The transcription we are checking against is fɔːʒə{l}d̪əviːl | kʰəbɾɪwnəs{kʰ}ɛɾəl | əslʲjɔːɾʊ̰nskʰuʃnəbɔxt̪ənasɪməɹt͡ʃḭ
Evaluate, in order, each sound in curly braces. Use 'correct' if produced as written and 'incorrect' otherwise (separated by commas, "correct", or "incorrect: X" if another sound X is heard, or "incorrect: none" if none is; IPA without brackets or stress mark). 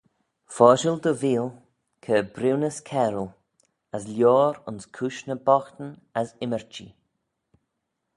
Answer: correct, correct